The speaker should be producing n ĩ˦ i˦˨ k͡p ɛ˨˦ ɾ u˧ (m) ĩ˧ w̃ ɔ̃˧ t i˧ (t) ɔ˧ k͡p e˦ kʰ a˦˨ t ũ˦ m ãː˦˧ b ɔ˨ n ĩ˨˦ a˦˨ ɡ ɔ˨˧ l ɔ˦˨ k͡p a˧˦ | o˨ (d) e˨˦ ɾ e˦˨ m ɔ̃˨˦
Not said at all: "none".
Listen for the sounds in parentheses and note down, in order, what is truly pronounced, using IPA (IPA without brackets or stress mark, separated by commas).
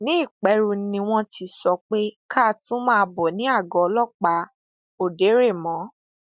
n, s, d